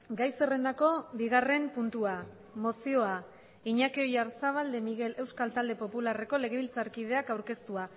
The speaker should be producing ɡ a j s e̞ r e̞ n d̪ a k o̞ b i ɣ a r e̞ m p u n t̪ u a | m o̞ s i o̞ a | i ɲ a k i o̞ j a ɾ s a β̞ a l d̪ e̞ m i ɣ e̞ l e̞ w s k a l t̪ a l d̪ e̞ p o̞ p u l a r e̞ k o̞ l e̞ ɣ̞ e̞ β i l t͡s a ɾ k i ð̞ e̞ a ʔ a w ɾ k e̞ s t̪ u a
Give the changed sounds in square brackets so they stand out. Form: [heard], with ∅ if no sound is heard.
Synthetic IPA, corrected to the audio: ɡ a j s e̞ r e̞ n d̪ a k o̞ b i ɣ a r e̞ m p u n t̪ u a | m o̞ s i o̞ a | i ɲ a k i o̞ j a ɾ s a β̞ a l d̪ e̞ m i ɣ e̞ l e̞ w s k a l t̪ a l d̪ e̞ p o̞ p u l a r e̞ k o̞ l e̞ ɣ̞ e̞ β i l t͡s a ɾ k i ð̞ e̞ a [k] a w ɾ k e̞ s t̪ u a